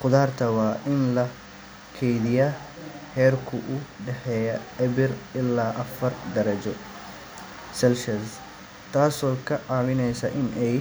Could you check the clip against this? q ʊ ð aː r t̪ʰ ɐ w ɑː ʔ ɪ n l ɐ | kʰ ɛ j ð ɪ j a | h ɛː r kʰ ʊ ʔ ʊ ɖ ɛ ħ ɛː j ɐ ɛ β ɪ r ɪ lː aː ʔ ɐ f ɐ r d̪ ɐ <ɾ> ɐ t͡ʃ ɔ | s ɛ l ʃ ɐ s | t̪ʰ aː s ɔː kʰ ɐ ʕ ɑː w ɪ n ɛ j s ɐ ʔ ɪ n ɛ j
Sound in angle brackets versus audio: correct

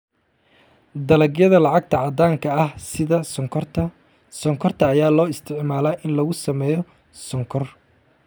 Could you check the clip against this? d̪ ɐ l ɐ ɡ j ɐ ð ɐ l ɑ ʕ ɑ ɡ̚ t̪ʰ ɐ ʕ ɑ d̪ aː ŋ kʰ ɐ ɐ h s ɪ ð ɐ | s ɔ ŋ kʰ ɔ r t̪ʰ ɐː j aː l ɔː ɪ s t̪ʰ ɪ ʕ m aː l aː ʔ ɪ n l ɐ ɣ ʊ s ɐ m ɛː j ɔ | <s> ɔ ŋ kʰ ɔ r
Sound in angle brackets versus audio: correct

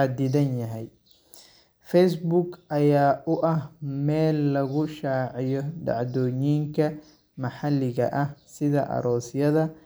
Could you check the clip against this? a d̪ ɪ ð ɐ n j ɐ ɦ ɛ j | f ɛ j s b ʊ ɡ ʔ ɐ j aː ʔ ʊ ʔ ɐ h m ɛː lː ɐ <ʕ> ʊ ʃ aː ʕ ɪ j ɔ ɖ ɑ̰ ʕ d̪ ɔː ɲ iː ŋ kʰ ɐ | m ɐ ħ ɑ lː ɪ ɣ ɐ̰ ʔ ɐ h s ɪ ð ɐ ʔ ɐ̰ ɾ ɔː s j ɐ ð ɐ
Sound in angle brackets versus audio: incorrect: ɣ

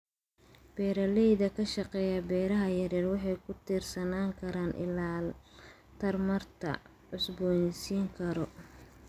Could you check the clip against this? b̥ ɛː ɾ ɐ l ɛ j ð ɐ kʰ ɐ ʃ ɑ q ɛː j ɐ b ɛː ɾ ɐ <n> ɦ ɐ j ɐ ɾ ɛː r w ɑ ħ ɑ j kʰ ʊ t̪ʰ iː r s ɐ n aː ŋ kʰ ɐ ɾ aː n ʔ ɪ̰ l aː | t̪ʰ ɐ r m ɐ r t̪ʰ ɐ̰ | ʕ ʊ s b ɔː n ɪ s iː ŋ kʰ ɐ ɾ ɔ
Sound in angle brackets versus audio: incorrect: none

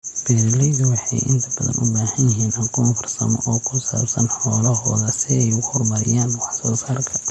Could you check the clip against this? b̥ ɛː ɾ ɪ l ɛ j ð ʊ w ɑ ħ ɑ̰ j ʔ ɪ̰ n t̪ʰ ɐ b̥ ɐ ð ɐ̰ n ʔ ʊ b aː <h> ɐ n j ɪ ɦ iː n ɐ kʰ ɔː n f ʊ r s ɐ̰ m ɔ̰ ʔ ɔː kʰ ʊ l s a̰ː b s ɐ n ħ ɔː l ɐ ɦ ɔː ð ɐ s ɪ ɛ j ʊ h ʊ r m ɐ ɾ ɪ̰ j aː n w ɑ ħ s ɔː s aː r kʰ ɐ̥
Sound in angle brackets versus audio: correct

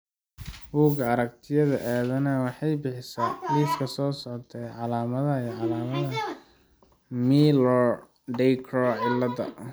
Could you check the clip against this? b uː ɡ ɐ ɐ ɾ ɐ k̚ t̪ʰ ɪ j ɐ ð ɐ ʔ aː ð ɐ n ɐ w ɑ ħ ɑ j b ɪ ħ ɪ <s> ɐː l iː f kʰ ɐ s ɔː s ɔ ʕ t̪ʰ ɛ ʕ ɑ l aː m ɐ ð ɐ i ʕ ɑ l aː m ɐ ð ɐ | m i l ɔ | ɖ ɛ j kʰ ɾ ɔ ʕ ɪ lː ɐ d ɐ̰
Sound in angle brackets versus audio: correct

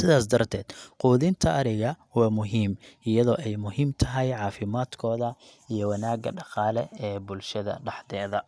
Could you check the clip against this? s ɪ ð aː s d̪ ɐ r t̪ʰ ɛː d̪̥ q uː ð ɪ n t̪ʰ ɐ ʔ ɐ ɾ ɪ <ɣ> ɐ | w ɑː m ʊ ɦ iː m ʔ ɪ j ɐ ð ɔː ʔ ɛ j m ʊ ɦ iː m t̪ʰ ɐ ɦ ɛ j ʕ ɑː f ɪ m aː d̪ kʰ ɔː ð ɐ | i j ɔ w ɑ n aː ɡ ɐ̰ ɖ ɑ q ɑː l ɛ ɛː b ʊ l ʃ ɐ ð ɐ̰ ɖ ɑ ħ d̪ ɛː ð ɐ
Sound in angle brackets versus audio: correct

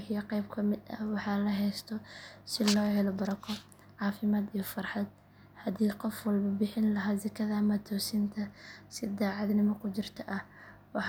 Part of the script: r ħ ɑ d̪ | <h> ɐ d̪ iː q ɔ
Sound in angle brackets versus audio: correct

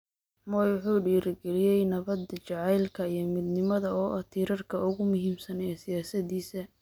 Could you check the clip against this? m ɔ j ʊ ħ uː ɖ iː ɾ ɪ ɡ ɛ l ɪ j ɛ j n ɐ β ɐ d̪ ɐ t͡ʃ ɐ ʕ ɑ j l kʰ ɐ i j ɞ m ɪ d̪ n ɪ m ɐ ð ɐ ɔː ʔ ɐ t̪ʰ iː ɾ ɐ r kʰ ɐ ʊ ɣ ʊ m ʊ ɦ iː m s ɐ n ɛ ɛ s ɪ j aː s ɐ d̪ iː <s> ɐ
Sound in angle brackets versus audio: correct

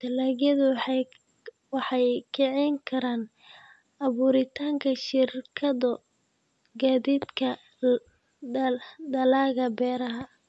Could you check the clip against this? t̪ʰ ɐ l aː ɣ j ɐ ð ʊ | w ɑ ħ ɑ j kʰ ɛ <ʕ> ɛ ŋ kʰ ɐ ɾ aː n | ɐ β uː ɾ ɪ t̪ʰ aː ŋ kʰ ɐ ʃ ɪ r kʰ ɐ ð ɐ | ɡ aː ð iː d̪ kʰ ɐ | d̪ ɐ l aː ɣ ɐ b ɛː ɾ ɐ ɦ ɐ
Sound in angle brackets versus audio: correct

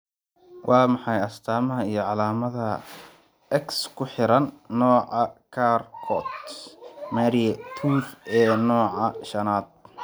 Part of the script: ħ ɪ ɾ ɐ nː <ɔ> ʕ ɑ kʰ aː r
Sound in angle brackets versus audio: incorrect: ɔː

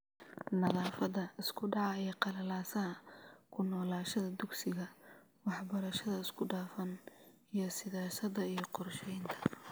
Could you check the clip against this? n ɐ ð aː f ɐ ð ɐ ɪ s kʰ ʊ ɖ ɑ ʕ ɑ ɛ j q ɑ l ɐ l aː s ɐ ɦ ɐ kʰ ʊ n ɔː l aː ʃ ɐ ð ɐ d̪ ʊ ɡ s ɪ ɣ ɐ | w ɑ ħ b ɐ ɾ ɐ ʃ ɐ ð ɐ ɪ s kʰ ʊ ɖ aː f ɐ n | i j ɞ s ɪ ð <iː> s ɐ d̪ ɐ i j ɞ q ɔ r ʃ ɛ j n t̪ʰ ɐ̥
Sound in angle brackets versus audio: incorrect: aː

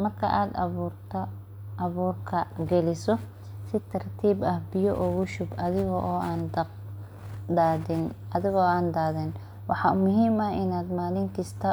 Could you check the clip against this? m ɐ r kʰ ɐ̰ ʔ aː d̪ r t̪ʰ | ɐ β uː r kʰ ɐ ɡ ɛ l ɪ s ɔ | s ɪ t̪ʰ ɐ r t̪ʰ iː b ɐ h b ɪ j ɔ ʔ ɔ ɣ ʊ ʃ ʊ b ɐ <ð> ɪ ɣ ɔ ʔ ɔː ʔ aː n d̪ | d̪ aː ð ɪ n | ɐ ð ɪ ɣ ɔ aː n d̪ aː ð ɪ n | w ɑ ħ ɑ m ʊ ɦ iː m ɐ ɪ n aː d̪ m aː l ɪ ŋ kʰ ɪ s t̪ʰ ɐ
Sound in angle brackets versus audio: correct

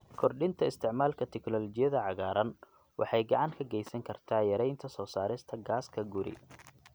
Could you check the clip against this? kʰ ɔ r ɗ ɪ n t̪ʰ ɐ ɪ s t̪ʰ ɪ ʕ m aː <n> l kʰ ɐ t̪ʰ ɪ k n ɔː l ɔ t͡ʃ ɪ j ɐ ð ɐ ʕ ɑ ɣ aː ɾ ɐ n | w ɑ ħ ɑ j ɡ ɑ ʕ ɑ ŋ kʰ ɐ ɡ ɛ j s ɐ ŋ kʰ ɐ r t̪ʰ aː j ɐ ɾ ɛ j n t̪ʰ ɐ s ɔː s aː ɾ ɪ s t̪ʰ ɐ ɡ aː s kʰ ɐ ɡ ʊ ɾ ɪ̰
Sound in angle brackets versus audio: incorrect: none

